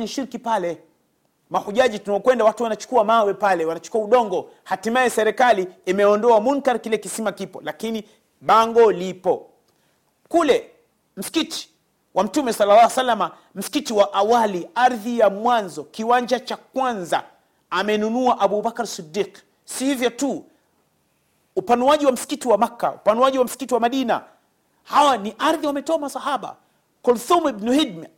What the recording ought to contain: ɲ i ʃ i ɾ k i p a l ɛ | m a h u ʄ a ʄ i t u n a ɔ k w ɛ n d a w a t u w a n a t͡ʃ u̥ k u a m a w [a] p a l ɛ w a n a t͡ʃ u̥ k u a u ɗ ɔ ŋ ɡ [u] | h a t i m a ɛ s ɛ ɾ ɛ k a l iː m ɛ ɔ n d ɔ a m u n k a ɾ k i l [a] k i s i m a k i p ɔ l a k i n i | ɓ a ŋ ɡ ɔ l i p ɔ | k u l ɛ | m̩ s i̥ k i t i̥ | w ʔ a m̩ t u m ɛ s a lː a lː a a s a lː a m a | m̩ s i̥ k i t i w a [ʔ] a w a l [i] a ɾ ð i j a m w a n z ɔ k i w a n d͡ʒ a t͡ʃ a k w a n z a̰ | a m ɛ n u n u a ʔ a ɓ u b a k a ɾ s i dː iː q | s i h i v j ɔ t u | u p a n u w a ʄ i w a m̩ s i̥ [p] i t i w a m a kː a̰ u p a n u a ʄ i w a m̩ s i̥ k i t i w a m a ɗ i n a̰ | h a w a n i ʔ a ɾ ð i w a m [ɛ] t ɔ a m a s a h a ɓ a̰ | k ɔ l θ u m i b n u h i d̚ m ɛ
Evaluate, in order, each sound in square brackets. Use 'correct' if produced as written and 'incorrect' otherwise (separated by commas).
incorrect, incorrect, incorrect, correct, correct, incorrect, correct